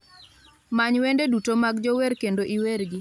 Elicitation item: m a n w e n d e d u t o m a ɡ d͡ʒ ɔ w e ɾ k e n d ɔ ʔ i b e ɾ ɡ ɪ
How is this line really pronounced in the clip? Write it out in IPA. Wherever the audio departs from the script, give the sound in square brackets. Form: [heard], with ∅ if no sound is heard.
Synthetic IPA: m a [ɲ] w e n d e d u t o m a ɡ d͡ʒ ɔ w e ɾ k e n d [o] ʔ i [w] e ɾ ɡ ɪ